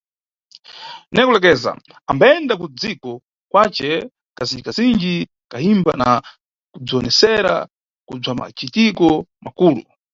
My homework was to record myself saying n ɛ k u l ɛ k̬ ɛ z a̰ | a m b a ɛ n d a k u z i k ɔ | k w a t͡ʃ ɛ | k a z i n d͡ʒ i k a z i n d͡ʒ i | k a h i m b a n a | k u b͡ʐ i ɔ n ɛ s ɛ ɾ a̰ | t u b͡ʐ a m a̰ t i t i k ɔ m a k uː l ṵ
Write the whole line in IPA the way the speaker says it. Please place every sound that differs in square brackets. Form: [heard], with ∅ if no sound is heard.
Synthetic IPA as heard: n ɛ k u l ɛ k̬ ɛ z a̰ | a m b a ɛ n d a k u [d͡z] i k ɔ | k w a t͡ʃ ɛ | k a z i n d͡ʒ i k a z i n d͡ʒ i | k a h i m b a n a | k u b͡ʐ i ɔ n ɛ s ɛ ɾ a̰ | [k] u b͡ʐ a m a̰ [t͡ʃ] i t i k ɔ m a k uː l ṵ